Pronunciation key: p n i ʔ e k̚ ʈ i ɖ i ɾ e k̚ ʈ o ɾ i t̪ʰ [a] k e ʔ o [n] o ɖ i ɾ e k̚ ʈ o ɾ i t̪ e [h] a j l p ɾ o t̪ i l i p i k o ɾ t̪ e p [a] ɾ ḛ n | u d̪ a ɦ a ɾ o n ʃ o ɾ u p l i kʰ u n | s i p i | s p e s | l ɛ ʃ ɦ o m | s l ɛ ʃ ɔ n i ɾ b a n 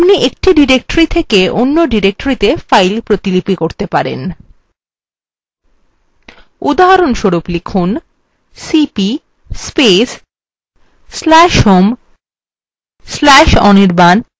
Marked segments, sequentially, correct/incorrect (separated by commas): incorrect, incorrect, incorrect, correct